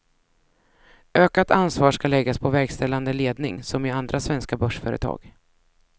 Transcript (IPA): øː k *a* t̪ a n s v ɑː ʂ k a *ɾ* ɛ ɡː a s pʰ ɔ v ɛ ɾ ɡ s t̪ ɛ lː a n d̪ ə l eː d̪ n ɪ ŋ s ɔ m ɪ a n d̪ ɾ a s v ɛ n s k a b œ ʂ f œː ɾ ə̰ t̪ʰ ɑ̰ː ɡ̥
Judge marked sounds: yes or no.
yes, no

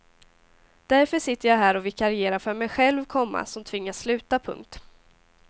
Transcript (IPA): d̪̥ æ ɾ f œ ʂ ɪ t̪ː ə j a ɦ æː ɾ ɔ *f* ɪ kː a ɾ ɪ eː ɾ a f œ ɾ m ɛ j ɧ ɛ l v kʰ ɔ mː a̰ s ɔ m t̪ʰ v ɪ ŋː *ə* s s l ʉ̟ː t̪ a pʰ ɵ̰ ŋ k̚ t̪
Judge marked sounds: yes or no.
no, no

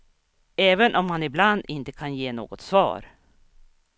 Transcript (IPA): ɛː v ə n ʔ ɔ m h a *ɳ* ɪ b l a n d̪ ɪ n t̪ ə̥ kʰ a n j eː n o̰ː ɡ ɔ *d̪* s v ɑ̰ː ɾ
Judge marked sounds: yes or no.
no, no

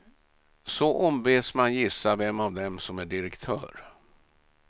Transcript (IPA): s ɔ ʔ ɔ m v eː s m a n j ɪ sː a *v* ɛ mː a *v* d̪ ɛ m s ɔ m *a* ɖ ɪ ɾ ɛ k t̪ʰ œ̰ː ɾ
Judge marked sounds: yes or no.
yes, yes, no

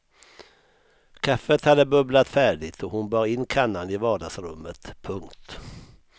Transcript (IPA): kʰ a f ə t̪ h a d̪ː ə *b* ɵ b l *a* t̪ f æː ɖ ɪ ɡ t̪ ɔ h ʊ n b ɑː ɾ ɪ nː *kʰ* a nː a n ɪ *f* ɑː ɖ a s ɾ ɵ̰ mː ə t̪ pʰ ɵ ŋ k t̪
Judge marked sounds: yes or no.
yes, yes, yes, no

